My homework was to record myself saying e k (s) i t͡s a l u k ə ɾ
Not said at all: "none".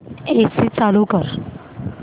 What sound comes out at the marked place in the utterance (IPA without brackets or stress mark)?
s